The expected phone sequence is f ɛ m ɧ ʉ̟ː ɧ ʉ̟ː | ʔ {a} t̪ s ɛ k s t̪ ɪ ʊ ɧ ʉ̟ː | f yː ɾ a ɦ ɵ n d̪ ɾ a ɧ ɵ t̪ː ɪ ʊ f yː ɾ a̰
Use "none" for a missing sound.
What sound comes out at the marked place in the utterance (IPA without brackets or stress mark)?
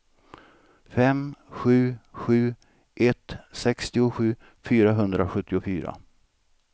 ɛ